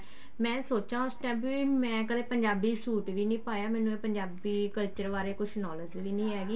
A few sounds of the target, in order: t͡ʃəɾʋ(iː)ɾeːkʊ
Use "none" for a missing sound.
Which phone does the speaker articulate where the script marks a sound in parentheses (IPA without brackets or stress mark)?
aː